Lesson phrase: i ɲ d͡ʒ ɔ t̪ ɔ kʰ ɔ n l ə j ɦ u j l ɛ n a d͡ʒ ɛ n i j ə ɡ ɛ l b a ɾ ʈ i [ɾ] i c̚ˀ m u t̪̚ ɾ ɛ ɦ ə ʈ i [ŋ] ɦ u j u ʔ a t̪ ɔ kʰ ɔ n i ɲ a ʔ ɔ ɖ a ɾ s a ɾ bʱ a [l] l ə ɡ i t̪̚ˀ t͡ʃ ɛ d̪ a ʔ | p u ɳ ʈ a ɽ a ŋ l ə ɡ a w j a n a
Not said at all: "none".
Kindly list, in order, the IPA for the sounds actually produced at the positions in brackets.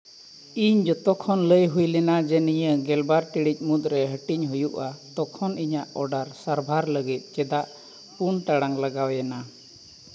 ɽ, ɲ, ɾ

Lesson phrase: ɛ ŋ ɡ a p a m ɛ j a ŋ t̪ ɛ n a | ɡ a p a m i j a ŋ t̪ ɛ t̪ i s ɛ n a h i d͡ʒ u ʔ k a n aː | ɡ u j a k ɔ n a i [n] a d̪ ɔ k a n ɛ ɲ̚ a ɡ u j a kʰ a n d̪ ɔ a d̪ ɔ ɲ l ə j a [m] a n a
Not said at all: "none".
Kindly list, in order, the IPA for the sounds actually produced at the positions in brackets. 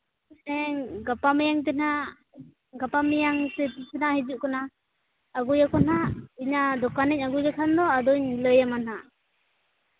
ɲ, m

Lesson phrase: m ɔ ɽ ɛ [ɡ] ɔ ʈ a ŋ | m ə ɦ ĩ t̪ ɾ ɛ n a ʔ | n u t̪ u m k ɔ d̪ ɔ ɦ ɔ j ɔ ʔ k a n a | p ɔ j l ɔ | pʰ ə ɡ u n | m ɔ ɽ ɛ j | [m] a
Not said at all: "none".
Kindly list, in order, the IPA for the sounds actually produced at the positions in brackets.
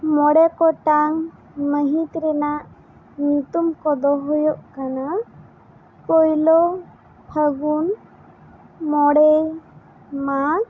k, m

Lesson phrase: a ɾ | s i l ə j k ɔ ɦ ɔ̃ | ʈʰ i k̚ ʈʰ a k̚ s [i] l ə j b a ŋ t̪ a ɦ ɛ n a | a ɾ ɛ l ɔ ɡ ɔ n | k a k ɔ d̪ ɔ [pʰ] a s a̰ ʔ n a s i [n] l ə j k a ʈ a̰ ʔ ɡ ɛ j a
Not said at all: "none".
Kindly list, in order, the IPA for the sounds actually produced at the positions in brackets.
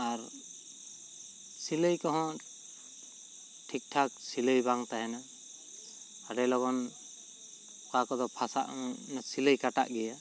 i, pʰ, none

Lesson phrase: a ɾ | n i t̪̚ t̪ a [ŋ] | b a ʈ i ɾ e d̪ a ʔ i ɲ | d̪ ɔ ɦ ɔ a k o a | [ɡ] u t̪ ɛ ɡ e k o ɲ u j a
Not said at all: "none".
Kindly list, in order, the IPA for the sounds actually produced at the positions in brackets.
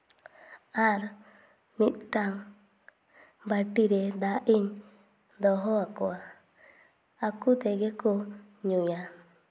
ŋ, k

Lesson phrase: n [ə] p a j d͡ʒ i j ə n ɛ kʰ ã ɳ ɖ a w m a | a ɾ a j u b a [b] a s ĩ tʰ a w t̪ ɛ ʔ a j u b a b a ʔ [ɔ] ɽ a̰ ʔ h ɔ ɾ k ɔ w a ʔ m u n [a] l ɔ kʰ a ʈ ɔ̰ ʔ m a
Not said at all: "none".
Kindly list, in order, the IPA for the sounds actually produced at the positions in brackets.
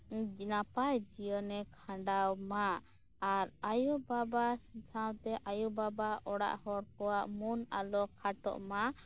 a, b, ɔ, a

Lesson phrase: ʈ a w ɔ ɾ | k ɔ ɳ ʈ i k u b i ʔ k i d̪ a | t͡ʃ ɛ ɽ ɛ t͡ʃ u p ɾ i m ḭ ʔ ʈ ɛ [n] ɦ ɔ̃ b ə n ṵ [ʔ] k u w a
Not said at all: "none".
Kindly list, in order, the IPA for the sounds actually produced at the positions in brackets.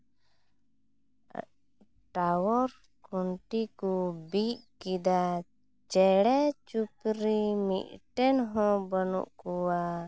n, ʔ

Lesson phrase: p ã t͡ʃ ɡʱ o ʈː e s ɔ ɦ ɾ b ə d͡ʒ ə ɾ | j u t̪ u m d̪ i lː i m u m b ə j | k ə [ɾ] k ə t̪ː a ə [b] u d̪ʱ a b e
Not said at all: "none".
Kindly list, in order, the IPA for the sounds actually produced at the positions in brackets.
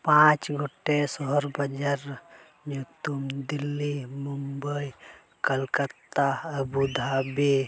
l, b

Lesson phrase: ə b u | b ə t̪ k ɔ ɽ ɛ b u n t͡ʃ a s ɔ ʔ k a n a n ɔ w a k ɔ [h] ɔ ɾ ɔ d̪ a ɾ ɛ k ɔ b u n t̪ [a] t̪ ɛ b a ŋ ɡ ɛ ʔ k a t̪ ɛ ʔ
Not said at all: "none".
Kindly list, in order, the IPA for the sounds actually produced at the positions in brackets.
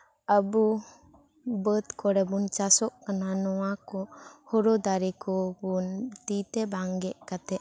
h, i

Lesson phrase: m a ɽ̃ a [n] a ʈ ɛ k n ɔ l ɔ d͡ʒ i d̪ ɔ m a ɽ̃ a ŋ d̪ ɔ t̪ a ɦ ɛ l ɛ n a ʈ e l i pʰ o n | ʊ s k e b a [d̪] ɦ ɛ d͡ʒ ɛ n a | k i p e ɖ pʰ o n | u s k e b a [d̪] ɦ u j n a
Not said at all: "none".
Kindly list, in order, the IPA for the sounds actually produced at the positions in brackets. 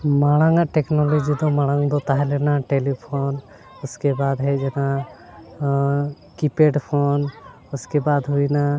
ŋ, d̪, d̪

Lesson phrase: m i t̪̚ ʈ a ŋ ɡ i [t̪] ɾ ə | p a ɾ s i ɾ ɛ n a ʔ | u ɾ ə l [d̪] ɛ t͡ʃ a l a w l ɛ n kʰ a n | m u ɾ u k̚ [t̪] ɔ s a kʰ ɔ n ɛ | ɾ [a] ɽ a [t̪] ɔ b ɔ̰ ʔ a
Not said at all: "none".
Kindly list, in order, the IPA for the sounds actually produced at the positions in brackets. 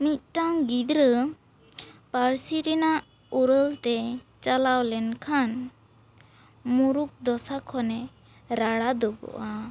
d̪, t̪, d̪, a, d̪

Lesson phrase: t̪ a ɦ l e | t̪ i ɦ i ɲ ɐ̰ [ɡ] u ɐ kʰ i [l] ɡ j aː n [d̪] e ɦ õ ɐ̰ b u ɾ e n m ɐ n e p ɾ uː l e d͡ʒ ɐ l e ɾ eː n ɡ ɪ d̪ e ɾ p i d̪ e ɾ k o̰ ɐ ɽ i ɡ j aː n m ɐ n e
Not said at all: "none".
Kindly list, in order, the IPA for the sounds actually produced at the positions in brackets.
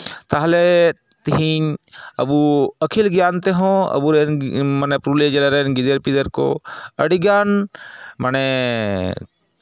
b, l, t̪

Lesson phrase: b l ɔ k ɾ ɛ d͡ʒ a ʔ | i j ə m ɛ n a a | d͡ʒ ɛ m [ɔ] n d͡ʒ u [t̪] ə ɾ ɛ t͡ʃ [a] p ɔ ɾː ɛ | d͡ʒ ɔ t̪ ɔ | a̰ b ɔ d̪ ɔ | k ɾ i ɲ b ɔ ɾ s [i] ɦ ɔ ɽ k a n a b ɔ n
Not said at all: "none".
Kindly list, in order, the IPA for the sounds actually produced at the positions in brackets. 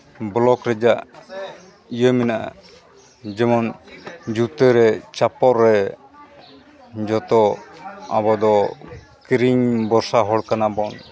ɔ, t̪, a, a

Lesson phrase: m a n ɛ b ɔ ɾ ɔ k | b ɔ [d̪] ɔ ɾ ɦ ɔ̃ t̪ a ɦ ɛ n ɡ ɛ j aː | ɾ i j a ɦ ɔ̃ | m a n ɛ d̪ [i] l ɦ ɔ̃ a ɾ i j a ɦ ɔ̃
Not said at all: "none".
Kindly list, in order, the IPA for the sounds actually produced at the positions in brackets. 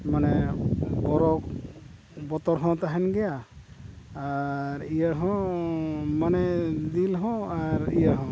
t̪, i

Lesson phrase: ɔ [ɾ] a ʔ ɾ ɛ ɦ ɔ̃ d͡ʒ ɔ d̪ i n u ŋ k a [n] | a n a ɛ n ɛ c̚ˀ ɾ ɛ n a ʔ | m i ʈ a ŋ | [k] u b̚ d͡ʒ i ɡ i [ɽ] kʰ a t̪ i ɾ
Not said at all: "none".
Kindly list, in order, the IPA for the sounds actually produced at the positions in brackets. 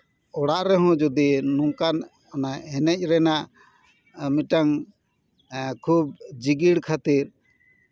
ɽ, n, kʰ, ɽ

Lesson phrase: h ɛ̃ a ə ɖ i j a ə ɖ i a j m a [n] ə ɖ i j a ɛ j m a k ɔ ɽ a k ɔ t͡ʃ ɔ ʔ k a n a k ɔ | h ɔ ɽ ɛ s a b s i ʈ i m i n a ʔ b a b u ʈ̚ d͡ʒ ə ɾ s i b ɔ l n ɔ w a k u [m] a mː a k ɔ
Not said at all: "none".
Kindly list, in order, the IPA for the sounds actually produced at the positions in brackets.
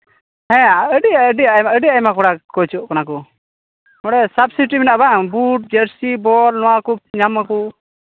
none, ɲ

